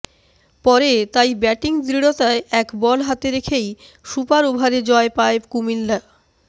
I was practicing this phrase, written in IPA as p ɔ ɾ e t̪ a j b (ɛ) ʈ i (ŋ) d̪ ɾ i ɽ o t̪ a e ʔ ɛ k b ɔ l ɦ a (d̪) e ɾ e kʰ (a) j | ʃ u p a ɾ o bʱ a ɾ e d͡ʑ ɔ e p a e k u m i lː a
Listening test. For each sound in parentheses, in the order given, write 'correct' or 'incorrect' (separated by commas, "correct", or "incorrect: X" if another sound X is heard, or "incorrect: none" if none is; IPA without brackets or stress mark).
correct, correct, incorrect: t̪, incorrect: e